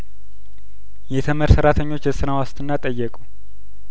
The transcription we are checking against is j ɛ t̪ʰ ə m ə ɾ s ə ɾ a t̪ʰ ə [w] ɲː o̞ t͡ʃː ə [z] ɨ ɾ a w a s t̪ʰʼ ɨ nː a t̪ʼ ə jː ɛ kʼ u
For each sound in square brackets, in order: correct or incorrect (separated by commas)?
incorrect, incorrect